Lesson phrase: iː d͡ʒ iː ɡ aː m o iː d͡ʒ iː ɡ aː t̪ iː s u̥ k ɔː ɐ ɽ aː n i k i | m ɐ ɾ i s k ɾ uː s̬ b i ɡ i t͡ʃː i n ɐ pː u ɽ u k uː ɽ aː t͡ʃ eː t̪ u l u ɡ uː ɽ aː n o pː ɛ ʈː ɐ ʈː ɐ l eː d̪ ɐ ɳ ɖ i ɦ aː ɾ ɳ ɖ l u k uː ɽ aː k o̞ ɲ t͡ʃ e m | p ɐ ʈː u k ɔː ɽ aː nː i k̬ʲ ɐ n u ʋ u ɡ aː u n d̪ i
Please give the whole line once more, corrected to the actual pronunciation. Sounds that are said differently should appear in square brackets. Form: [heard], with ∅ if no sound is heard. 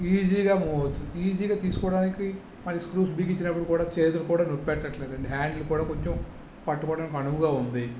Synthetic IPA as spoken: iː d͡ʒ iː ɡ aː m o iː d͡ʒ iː ɡ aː t̪ iː s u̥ k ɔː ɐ ɽ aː n i k i | m ɐ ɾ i s k ɾ uː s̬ b i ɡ i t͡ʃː i n ɐ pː u ɽ u k uː ɽ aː t͡ʃ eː t̪ u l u [k] uː ɽ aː n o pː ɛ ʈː ɐ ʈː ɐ l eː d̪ ɐ ɳ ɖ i ɦ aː [∅] ɳ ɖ l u k uː ɽ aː k o̞ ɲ t͡ʃ e m | p ɐ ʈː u k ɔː ɽ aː [n] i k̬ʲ ɐ n u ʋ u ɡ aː u n d̪ i

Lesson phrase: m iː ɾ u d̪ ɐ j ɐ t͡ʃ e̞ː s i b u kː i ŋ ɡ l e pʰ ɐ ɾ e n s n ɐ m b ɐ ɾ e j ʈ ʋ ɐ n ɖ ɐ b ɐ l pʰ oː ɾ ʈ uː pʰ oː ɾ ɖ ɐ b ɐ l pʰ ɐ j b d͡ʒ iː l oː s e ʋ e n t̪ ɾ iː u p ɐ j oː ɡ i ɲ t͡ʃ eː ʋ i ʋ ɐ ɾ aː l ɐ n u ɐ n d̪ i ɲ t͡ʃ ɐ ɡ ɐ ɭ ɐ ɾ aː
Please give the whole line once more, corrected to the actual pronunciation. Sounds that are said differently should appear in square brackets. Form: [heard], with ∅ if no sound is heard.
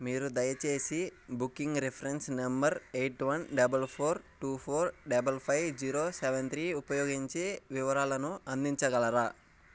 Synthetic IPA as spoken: m iː ɾ u d̪ ɐ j ɐ t͡ʃ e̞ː s i b u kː i ŋ ɡ [ɾ] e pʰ ɐ ɾ e n s n ɐ m b ɐ ɾ e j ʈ ʋ ɐ n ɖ ɐ b ɐ l pʰ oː ɾ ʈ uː pʰ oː ɾ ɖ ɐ b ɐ l pʰ ɐ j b d͡ʒ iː [ɾ] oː s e ʋ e n t̪ ɾ iː u p ɐ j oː ɡ i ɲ t͡ʃ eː ʋ i ʋ ɐ ɾ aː l ɐ n u ɐ n d̪ i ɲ t͡ʃ ɐ ɡ ɐ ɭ ɐ ɾ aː

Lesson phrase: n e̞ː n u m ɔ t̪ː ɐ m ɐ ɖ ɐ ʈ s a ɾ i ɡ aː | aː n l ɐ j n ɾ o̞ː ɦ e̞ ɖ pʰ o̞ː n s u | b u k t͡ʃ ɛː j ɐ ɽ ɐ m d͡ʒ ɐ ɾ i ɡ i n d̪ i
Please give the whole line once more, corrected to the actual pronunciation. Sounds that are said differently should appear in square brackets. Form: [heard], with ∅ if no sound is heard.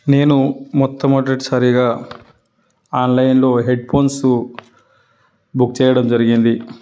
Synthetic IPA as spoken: n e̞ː n u m ɔ t̪ː ɐ m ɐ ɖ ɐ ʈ s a ɾ i ɡ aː | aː n l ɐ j n [l] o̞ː ɦ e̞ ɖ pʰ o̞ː n s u | b u k t͡ʃ ɛː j ɐ ɽ ɐ m d͡ʒ ɐ ɾ i ɡ i n d̪ i

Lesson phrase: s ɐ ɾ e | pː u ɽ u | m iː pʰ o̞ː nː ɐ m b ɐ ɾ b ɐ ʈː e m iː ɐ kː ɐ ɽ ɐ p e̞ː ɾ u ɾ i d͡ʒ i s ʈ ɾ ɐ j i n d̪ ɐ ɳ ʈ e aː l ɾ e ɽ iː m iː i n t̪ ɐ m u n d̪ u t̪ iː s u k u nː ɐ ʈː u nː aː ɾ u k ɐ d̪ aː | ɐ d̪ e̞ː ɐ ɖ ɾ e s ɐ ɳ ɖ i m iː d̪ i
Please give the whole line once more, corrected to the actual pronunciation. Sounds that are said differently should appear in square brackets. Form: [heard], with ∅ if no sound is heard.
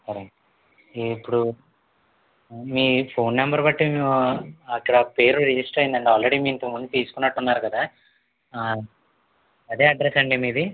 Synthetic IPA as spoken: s ɐ ɾ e | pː u ɽ u | m iː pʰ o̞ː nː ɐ m b ɐ ɾ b ɐ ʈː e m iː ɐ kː ɐ ɽ ɐ p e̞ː ɾ u ɾ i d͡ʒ i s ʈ ɾ ɐ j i n d̪ ɐ ɳ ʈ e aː l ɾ e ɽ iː m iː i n t̪ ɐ m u n d̪ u t̪ iː s u k u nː ɐ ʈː u nː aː ɾ u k ɐ d̪ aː | ɐ d̪ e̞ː ɐ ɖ ɾ e s ɐ ɳ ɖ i m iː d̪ i

